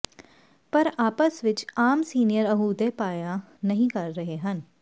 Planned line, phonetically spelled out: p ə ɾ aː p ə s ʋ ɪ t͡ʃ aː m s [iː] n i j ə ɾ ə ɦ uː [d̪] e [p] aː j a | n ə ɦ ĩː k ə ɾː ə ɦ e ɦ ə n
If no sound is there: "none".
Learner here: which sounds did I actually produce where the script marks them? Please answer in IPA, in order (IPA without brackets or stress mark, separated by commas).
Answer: iː, d̪, p